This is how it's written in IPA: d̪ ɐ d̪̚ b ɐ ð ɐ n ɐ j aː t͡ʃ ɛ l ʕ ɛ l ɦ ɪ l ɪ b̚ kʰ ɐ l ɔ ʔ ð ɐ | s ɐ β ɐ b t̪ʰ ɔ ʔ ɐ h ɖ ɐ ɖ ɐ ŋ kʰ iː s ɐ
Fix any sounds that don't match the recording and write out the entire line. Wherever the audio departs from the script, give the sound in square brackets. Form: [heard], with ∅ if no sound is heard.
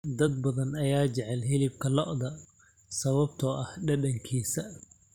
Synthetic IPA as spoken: d̪ ɐ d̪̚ b ɐ ð ɐ n ɐ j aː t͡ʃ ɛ [∅] ʕ ɛ l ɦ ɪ l ɪ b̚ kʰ ɐ l ɔ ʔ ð ɐ | s ɐ β ɐ b t̪ʰ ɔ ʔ ɐ h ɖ ɐ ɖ ɐ ŋ kʰ iː s ɐ